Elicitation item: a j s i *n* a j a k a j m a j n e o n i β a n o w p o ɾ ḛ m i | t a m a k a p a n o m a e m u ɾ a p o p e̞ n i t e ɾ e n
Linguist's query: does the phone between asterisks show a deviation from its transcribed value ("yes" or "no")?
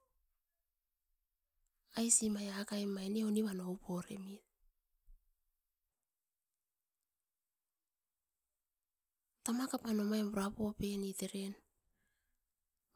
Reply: yes